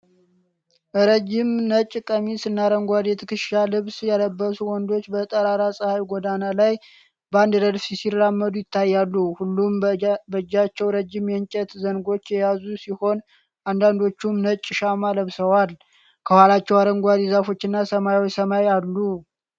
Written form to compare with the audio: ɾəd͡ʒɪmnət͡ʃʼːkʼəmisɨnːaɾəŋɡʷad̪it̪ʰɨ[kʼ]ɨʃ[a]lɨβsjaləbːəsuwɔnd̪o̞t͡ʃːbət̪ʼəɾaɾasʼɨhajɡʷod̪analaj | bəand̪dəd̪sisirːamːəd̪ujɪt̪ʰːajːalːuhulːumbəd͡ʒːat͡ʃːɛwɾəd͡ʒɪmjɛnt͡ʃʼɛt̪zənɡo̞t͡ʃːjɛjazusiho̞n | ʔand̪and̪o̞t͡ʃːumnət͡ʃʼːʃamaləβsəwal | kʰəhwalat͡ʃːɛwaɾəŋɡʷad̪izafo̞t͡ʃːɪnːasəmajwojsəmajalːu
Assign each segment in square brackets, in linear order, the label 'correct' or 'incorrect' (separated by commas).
incorrect, correct